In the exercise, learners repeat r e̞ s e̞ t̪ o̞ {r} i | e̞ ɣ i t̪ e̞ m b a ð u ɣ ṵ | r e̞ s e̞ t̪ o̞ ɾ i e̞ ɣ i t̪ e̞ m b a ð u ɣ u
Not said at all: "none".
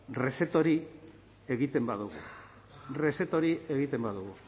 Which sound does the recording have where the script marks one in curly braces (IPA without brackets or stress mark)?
ɾ